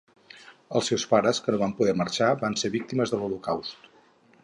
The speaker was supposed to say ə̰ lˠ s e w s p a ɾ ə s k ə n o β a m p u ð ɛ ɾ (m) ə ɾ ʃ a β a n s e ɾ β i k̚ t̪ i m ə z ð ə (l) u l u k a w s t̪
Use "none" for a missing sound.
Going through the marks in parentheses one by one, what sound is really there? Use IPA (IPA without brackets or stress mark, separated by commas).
m, l